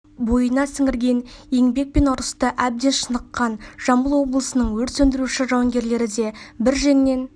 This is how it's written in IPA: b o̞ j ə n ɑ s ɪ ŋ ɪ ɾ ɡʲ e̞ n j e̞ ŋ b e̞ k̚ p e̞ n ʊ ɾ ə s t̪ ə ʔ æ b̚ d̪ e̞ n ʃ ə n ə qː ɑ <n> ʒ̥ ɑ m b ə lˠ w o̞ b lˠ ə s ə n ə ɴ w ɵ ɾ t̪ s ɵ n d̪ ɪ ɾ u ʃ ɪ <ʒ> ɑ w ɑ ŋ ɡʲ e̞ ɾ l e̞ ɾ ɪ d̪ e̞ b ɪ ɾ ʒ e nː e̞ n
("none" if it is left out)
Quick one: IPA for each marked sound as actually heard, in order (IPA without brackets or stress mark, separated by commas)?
n, ʒ